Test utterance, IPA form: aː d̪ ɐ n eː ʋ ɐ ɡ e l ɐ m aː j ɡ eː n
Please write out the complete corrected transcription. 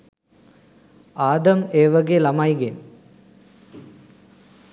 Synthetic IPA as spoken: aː d̪ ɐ m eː ʋ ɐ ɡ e l ɐ m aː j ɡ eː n